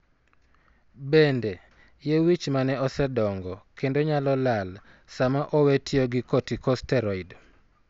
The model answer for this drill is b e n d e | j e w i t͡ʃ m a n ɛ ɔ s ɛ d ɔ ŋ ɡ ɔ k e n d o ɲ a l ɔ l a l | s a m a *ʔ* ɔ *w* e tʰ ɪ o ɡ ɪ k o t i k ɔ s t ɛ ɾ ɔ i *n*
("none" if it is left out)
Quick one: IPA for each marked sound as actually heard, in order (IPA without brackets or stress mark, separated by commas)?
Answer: ʔ, w, d